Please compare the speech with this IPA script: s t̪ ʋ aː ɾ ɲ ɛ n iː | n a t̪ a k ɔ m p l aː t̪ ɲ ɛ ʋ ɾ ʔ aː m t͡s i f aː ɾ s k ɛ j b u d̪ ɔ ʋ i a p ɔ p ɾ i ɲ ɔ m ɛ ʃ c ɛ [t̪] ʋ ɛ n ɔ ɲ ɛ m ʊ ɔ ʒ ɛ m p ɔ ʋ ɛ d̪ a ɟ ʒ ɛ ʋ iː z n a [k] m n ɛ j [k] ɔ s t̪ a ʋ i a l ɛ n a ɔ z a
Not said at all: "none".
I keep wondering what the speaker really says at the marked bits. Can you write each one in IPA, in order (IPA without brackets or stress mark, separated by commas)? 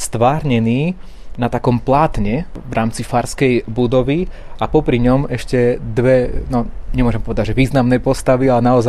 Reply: d̪, none, p